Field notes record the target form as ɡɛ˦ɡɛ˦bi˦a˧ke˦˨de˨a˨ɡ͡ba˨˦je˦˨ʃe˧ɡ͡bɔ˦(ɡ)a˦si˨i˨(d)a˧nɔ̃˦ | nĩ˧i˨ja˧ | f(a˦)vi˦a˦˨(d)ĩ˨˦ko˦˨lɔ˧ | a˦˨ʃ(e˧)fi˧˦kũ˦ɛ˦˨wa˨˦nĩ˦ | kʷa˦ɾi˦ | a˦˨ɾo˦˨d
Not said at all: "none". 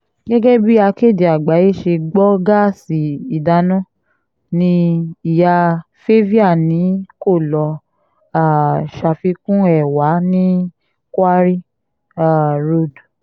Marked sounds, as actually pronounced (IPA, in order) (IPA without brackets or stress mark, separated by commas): ɡ, d, e˦, n, a˧